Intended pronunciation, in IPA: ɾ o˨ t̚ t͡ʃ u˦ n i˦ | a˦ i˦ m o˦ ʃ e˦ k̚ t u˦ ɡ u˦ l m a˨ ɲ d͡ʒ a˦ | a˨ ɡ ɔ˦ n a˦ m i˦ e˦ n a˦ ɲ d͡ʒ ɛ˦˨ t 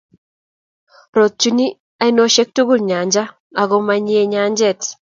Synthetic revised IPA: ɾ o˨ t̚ t͡ʃ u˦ n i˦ | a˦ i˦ n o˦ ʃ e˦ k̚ t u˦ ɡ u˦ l ɲ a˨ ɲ d͡ʒ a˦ | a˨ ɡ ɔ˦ m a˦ ɲ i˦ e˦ ɲ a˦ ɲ d͡ʒ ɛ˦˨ t